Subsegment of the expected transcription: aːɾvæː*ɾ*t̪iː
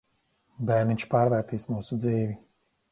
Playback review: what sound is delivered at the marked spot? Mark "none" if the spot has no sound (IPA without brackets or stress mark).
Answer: ɾ